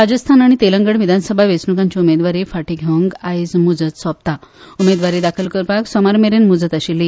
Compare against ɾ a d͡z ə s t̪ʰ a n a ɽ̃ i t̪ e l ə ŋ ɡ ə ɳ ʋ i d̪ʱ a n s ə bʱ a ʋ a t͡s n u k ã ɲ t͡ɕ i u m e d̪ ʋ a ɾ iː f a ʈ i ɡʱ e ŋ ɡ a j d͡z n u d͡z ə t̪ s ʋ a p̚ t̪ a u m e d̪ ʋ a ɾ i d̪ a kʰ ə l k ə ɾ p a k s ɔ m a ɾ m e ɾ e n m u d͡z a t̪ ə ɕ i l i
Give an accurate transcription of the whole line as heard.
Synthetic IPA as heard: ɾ a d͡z ə s t̪ʰ a n a ɽ̃ i t̪ e l ə ŋ ɡ ə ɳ ʋ i d̪ʱ a n s ə bʱ a ʋ e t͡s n u k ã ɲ t͡ɕ i u m e d̪ ʋ a ɾ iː f a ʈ i ɡʱ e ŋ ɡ a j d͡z m u d͡z ə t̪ s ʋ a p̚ t̪ a u m e d̪ ʋ a ɾ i d̪ a kʰ ə l k ə ɾ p a k s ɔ m a ɾ m e ɾ e n m u d͡z ə t̪ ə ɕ i l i